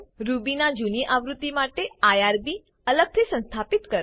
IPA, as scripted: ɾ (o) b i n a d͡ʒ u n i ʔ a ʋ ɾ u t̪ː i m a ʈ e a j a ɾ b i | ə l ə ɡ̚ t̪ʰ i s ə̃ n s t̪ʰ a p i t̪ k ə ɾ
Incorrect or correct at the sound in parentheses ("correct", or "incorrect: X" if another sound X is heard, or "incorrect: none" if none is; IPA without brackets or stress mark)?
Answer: incorrect: u